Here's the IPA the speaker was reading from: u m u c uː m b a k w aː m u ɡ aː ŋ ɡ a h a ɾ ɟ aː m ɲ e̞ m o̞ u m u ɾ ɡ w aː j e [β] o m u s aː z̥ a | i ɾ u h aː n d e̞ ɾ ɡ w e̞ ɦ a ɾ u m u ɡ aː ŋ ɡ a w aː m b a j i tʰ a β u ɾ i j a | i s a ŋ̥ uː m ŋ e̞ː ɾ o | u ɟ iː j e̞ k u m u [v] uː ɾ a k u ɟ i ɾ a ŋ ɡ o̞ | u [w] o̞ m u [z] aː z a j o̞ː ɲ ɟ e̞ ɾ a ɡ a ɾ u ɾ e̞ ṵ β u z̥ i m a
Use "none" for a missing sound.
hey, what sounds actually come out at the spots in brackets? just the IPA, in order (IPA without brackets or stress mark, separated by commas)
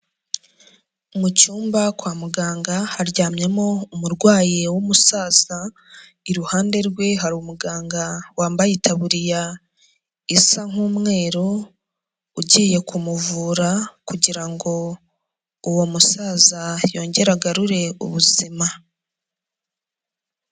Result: w, v, w, s